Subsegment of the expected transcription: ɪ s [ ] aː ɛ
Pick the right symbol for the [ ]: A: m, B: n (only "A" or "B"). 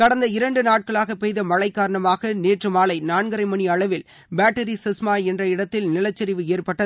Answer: A